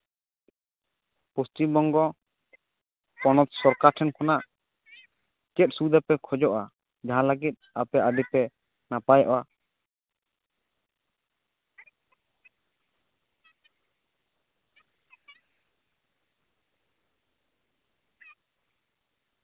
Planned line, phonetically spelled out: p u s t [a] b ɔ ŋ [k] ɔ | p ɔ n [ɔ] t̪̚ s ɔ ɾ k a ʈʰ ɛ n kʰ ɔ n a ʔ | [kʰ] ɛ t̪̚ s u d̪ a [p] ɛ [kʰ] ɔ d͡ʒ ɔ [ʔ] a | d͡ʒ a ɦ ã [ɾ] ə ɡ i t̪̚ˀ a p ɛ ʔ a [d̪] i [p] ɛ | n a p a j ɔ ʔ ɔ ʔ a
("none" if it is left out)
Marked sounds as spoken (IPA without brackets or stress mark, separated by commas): i, ɡ, ɔ, k, p, kʰ, ʔ, l, d̪, p